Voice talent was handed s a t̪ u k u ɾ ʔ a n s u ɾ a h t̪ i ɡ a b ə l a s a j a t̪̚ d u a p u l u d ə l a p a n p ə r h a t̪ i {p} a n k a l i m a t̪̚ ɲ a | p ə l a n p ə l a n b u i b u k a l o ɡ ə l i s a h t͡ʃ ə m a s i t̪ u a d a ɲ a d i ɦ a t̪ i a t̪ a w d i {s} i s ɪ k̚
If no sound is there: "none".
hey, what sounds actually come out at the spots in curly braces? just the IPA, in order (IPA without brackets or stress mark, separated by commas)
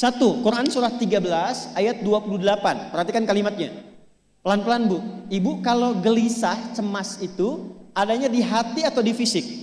k, f